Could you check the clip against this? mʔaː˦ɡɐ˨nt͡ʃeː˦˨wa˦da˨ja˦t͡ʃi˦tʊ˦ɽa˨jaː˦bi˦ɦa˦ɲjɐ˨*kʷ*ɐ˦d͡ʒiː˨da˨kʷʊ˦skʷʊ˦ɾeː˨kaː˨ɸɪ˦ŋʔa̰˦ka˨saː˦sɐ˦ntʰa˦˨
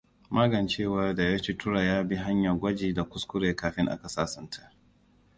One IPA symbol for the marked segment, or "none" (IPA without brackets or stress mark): ɡʷ